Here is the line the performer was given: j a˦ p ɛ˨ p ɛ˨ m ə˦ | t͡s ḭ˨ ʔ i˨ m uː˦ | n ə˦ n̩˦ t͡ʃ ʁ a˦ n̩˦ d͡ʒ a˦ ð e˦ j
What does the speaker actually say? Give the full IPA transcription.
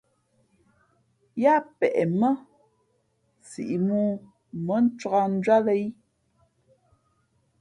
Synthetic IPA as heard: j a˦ p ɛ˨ ʔ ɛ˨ m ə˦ | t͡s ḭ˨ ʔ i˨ m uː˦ | m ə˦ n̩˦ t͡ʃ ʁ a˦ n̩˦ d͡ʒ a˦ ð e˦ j

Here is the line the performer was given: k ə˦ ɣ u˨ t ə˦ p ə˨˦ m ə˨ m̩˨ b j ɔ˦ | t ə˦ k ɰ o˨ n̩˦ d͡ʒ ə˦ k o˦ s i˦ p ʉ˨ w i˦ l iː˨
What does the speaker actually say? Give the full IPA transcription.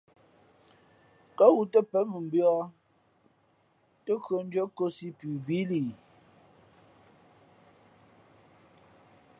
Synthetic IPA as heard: k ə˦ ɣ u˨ t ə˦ p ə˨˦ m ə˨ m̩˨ b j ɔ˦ | t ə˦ k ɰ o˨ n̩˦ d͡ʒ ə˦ k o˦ s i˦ p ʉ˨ b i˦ l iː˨

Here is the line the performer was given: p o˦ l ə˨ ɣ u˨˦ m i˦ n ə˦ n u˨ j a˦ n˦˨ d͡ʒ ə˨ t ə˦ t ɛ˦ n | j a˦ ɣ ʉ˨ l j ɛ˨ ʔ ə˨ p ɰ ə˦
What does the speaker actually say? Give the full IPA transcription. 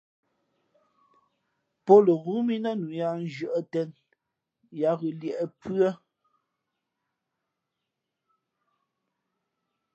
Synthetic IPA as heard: p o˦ l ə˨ ɣ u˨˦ m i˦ n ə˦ n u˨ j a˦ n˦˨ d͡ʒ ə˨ ʔ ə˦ t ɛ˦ n | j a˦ ɣ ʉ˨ l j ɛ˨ ʔ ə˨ p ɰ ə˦

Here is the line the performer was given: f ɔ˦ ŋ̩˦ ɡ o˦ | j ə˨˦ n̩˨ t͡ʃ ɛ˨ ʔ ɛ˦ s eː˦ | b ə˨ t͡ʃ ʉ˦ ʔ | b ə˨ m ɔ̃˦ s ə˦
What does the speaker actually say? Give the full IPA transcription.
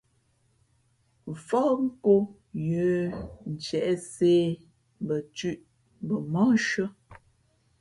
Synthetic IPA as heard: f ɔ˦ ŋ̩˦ k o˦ | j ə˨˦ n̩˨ t͡ʃ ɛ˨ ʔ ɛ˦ s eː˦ | b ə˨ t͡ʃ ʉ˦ ʔ | b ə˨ m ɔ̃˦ ʃ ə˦

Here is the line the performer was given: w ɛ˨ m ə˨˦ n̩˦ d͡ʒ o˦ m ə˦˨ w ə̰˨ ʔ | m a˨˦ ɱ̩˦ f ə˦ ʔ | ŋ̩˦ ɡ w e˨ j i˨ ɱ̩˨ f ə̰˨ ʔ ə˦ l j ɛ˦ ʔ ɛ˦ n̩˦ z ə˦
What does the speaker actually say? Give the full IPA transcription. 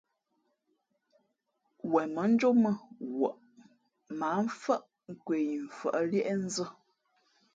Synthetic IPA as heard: w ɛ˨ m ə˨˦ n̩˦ d͡ʒ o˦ m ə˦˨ w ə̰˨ ʔ | m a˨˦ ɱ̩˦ f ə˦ ʔ | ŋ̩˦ k w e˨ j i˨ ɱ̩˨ f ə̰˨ ʔ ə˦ l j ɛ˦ ʔ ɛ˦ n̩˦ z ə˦

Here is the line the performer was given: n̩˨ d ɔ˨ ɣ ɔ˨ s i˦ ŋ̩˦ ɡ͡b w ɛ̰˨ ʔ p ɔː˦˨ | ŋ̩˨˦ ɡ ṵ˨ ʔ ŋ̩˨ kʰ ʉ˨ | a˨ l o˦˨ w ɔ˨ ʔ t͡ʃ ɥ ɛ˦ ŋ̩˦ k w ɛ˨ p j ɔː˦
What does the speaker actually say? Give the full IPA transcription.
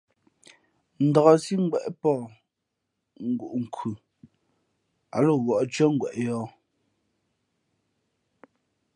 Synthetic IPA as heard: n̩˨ d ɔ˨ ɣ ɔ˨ s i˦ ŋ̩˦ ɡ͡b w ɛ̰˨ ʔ p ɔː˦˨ | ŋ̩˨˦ ɡ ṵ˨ ʔ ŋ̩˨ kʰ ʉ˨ | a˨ l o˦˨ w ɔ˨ ʔ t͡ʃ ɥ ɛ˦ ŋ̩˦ ɡ w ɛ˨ ʔ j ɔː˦

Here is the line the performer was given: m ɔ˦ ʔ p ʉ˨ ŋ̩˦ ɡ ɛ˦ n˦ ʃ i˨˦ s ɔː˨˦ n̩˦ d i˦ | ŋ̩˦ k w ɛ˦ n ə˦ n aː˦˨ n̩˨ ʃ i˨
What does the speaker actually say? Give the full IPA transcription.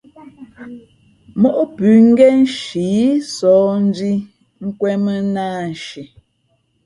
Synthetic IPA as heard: m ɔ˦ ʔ p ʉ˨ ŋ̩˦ ɡ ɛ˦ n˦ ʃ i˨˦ s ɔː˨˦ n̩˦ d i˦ | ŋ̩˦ k w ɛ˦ m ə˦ n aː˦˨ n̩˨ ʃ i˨

